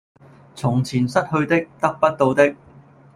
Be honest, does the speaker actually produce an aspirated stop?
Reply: yes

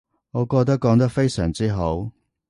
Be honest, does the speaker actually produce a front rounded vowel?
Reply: yes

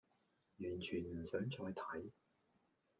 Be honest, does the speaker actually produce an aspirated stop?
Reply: yes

